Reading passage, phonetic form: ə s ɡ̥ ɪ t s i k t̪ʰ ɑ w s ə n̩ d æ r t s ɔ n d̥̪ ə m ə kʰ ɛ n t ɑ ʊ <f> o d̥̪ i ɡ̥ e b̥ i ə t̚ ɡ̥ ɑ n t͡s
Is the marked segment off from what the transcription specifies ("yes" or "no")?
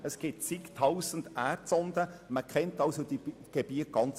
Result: yes